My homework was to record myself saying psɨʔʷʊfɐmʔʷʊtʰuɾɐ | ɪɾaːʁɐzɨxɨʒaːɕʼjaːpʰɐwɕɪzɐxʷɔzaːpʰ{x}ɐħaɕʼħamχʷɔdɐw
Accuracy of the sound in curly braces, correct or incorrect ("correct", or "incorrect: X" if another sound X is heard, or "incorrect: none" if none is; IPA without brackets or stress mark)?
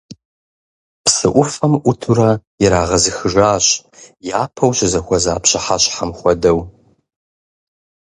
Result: incorrect: ɕ